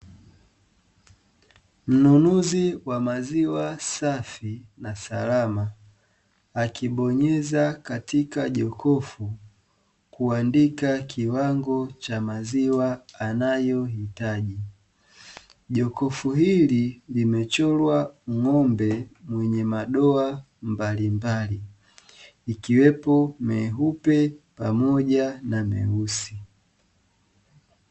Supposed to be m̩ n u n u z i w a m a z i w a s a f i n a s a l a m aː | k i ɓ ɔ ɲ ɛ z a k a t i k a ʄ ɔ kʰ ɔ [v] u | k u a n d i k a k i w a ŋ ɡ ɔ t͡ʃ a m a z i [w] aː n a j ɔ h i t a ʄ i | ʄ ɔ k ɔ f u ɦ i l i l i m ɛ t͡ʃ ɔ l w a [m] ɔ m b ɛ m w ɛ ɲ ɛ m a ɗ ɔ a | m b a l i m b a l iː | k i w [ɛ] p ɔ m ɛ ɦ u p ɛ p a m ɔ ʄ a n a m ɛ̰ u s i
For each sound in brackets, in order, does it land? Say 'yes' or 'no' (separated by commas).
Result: no, yes, no, yes